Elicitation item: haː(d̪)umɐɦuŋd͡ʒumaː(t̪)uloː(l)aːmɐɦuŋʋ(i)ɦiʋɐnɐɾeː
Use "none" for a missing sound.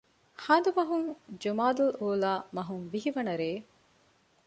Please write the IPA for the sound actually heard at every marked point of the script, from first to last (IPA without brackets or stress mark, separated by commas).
d̪, d̪, l, i